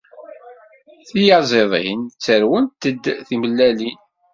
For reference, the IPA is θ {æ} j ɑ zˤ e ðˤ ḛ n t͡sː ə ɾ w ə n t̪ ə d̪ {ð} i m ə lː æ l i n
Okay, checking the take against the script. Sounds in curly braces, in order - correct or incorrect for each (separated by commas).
incorrect, incorrect